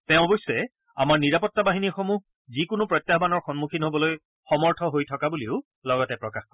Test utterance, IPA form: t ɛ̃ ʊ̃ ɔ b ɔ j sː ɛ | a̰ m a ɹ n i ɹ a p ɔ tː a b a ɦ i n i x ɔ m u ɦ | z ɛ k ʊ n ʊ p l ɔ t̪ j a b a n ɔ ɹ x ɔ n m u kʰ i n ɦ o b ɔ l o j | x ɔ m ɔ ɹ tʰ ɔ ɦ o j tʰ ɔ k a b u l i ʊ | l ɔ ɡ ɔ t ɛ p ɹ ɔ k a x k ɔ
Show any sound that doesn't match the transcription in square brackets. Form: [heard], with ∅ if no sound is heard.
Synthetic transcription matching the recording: t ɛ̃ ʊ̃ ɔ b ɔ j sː ɛ | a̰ m a ɹ n i ɹ a p ɔ tː a b a ɦ i n i x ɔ m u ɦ | z [i] k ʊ n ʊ p [ɹ] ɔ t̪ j a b a n ɔ ɹ x ɔ n m u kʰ i n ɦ o b ɔ l o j | x ɔ m ɔ ɹ tʰ ɔ ɦ o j tʰ ɔ k a b u l i ʊ | l ɔ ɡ ɔ t ɛ p ɹ ɔ k a x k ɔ